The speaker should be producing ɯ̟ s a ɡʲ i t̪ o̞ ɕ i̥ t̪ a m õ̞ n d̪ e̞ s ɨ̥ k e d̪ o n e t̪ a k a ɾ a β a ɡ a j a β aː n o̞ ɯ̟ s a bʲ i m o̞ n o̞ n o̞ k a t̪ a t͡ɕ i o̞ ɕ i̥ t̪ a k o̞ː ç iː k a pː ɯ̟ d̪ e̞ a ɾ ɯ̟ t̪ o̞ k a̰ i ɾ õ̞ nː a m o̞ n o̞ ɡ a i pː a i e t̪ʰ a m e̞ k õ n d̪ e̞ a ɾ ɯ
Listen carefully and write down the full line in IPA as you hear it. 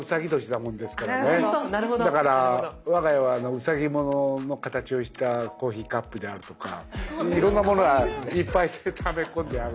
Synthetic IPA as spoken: ɯ̟ s a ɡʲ i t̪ o̞ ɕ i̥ t̪ a m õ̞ n d̪ e̞ s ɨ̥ k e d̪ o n e d̪ a k a ɾ a β a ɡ a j a β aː n o̞ ɯ̟ s a ɡʲ i m o̞ n o̞ n o̞ k a t̪ a t͡ɕ i o̞ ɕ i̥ t̪ a k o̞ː ç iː k a pː ɯ̟ d̪ e̞ a ɾ ɯ̟ t̪ o̞ k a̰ i ɾ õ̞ nː a m o̞ n o̞ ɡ a i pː a i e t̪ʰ a m e̞ k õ n d̪ e̞ a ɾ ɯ

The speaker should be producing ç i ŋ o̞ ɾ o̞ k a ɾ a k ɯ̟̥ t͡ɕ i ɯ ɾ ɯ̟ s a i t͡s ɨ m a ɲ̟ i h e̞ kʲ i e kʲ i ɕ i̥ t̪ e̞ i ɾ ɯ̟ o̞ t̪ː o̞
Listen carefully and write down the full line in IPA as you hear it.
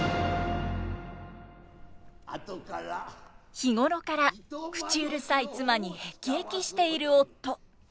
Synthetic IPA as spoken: ç i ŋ o̞ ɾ o̞ k a ɾ a k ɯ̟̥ t͡ɕ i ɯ ɾ ɯ̟ s a i t͡s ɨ m a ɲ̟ i h e̞ kʲ i e kʲ i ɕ i̥ t̪ e̞ i ɾ ɯ̟ o̞ t̪ː o̞

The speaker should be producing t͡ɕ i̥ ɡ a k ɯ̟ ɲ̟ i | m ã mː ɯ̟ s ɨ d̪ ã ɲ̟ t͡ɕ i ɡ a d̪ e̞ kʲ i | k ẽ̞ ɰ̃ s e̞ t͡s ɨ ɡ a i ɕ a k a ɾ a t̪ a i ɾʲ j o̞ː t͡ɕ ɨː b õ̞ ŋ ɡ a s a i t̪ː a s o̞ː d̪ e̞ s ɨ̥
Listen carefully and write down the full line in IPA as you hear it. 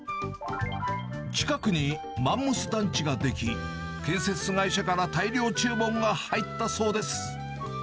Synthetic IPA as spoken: t͡ɕ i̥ k a k ɯ̟ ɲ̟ i | m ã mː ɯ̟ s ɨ d̪ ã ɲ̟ t͡ɕ i ɡ a d̪ e̞ kʲ i | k ẽ̞ ɰ̃ s e̞ t͡s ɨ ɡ a i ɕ a k a ɾ a t̪ a i ɾʲ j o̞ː t͡ɕ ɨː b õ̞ ŋ ɡ a h a i t̪ː a s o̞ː d̪ e̞ s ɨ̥

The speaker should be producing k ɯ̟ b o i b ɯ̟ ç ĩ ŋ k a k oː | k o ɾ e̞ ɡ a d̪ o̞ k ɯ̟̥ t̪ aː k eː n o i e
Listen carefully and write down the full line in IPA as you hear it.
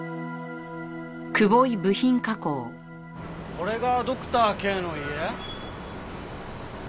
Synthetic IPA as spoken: k ɯ̟ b o i b ɯ̟ ç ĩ ŋ k a k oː | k o ɾ e̞ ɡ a d̪ o̞ k ɯ̟̥ t̪ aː k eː n o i e

